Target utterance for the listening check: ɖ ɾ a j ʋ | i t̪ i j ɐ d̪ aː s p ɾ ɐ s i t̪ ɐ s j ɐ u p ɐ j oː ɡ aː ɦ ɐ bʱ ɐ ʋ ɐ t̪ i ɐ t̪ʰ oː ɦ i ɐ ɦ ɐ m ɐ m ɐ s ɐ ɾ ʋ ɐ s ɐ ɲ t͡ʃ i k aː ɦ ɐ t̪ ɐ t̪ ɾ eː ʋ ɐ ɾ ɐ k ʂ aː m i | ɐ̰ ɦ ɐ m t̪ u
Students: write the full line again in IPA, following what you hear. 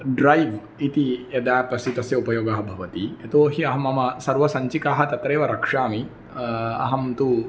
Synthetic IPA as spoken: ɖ ɾ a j ʋ | i t̪ i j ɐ d̪ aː p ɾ ɐ s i t̪ ɐ s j ɐ u p ɐ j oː ɡ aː ɦ ɐ bʱ ɐ ʋ ɐ t̪ i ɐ t̪ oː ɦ i ɐ ɦ ɐ m ɐ m ɐ s ɐ ɾ ʋ ɐ s ɐ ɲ t͡ʃ i k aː ɦ ɐ t̪ ɐ t̪ ɾ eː ʋ ɐ ɾ ɐ k ʂ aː m i | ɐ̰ ɦ ɐ m t̪ u